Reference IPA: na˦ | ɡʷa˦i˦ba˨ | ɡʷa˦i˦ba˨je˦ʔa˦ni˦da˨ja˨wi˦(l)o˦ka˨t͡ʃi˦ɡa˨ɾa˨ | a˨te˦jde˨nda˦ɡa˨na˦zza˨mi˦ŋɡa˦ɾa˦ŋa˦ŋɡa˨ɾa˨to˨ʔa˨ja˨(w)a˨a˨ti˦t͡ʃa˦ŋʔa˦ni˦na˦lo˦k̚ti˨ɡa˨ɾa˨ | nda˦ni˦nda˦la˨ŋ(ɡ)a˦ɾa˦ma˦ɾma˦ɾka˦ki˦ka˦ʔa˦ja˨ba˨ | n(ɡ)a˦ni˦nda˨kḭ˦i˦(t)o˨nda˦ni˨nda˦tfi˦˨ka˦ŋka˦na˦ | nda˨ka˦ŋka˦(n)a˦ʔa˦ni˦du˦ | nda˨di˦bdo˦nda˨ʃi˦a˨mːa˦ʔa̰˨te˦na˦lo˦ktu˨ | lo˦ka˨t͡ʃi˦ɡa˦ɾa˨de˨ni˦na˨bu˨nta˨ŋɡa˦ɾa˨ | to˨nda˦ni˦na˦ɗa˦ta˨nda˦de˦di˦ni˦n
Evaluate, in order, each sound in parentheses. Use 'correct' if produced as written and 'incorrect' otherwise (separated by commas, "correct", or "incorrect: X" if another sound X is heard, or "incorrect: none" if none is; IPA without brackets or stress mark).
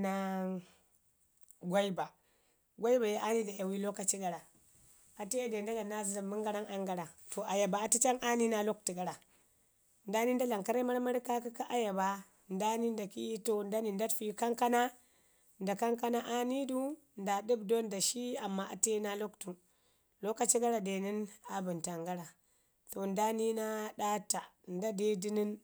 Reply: correct, incorrect: b, incorrect: k, incorrect: d, correct, correct